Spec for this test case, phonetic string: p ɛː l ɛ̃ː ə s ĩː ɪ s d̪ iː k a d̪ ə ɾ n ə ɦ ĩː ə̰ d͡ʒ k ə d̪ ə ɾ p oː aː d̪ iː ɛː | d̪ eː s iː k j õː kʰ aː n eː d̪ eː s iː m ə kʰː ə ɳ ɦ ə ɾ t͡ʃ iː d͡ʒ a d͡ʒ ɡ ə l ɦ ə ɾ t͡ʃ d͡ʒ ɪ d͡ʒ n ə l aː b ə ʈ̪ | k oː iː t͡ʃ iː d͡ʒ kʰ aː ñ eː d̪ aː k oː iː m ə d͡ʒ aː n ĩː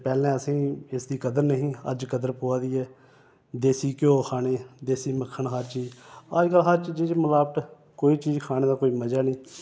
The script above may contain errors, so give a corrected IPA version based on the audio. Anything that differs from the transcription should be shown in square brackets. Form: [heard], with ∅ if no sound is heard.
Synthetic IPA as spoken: p ɛː l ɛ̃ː ə s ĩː ɪ s d̪ iː k [ə] d̪ ə ɾ n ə ɦ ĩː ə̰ d͡ʒ k ə d̪ ə ɾ p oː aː d̪ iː ɛː | d̪ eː s iː k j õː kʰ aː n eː d̪ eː s iː m ə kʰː ə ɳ ɦ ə ɾ t͡ʃ iː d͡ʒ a d͡ʒ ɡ ə l ɦ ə ɾ t͡ʃ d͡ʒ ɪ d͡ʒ [m] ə l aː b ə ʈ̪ | k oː iː t͡ʃ iː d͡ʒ kʰ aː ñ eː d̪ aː k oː iː m ə d͡ʒ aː n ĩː